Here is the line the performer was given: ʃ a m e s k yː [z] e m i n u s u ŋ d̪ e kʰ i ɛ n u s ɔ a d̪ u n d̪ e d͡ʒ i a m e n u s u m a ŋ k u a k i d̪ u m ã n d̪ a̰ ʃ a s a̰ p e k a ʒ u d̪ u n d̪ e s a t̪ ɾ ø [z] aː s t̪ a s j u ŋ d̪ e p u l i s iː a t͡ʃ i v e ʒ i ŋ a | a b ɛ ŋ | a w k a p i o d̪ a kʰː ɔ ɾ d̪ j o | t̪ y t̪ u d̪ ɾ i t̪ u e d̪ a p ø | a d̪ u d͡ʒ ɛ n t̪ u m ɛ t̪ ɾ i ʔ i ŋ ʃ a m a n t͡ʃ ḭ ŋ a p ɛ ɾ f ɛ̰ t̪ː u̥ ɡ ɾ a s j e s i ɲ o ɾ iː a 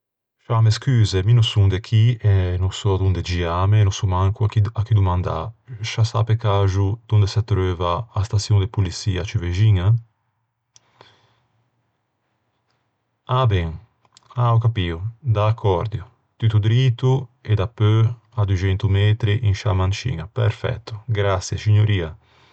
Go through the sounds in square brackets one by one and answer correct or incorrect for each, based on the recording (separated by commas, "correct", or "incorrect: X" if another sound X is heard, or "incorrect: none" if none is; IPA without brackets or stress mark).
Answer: correct, incorrect: v